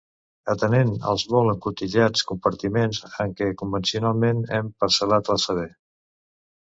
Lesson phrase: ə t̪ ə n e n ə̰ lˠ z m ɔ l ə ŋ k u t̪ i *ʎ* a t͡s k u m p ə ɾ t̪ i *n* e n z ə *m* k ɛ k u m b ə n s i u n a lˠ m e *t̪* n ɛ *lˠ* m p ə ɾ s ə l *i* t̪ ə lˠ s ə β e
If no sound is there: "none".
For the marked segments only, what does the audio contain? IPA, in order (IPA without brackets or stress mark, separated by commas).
ʎ, m, ŋ, none, none, a